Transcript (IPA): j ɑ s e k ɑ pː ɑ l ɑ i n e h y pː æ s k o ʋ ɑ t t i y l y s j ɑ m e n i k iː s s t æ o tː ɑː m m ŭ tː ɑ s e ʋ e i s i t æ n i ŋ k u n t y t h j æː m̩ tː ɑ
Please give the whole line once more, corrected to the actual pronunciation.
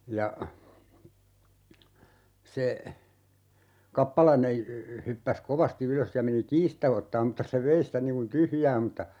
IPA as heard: j ɑ s e k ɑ pː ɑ l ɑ i n e h y pː æ s k o ʋ ɑ s t i y l ø s j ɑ m e n i k iː s s t æ o tː ɑː m m ŭ tː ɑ s e ʋ e i s i t æ n i ŋ k u n t y h j æː m̩ tː ɑ